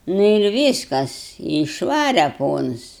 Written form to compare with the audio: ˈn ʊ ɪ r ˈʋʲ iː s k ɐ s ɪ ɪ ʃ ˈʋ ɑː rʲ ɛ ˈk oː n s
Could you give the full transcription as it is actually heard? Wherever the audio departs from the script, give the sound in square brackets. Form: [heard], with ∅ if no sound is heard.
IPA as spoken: ˈn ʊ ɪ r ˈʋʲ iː s k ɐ s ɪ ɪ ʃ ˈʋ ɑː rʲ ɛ [ˈp] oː n s